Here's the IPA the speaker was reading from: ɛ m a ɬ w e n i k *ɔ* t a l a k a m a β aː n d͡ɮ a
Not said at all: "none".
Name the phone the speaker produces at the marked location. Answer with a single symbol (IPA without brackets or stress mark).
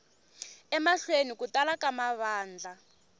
u